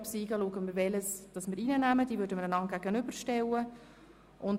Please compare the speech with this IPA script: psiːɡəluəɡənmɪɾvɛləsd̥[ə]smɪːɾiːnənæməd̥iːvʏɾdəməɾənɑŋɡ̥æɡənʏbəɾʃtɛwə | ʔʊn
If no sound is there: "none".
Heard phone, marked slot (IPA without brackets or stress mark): ɑ